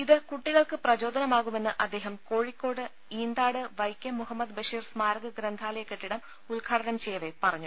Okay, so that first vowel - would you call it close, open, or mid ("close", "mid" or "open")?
close